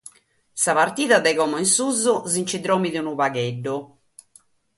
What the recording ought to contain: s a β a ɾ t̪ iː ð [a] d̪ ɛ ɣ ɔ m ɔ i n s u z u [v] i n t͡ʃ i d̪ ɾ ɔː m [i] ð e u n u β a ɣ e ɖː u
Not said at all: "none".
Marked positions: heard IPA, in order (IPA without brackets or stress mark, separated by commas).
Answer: a, z, i